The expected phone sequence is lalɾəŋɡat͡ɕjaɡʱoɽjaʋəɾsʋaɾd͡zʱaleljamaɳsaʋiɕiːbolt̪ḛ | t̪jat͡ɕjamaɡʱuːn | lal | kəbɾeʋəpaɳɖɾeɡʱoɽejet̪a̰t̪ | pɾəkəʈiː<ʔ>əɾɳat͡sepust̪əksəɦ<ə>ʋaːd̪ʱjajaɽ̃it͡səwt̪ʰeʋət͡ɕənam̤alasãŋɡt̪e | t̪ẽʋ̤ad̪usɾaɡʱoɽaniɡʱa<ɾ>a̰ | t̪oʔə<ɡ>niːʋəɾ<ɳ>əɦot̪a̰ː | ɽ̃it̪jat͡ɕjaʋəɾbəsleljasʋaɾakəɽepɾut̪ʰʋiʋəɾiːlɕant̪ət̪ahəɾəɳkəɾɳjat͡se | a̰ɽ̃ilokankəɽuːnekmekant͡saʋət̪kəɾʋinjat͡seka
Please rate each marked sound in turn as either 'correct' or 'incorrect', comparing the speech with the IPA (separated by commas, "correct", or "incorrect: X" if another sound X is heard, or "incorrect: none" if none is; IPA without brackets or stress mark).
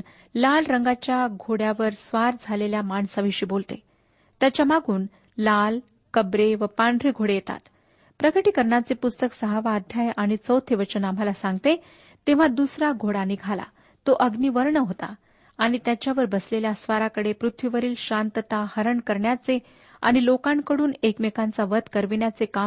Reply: incorrect: k, incorrect: a, incorrect: l, correct, correct